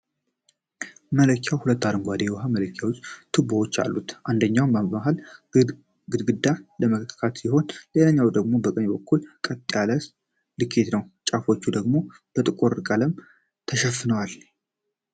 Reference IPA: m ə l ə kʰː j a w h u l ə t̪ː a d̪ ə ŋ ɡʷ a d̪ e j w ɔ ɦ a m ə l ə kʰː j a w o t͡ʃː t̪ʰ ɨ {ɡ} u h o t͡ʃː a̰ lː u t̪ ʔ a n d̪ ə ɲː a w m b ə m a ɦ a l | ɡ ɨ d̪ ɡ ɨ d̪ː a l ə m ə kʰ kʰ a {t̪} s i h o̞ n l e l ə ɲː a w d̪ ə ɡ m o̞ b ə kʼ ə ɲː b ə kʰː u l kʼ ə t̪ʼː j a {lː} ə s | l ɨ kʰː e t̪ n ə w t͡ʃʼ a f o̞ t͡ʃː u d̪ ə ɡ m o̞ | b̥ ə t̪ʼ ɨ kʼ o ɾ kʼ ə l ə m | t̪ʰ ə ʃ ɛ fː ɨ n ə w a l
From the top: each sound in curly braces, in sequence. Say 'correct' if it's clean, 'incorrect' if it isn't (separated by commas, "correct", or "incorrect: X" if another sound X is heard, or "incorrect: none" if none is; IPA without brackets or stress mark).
incorrect: b, correct, incorrect: l